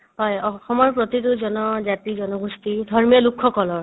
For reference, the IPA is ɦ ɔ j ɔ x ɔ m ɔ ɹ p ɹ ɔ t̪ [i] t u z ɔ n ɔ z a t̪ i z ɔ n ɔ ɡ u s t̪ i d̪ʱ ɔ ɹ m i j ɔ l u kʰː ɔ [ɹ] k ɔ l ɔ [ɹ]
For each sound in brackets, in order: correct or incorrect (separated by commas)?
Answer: correct, incorrect, correct